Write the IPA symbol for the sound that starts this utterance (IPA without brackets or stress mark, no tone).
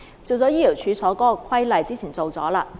t͡s